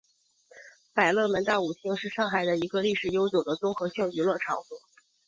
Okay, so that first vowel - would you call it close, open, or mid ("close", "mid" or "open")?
open